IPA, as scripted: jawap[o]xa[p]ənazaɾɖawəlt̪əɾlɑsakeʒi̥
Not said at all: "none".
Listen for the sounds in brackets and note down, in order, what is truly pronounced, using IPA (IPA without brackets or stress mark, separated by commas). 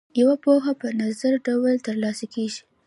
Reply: o, p